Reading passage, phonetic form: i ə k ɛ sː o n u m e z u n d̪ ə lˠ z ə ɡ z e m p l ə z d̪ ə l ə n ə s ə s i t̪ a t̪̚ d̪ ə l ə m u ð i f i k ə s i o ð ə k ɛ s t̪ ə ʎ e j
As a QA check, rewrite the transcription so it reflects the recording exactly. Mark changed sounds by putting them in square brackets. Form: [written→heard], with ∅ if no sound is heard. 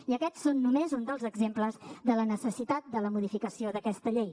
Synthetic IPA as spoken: i ə k ɛ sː o [n→nː] u m e z u n d̪ ə lˠ z ə ɡ z e m p l ə z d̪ ə l ə n ə s ə s i t̪ a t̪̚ d̪ ə l ə m u ð i f i k ə s i o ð ə k ɛ s t̪ ə ʎ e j